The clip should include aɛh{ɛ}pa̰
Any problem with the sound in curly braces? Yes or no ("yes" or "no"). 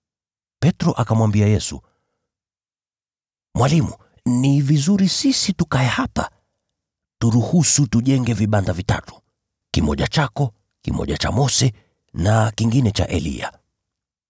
yes